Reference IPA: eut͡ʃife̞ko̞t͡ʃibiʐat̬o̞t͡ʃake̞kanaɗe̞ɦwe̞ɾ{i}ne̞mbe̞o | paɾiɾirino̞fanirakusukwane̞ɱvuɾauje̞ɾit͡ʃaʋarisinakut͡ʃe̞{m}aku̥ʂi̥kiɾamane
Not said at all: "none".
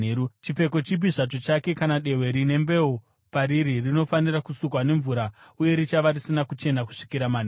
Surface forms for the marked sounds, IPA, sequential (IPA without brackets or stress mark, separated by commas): i, n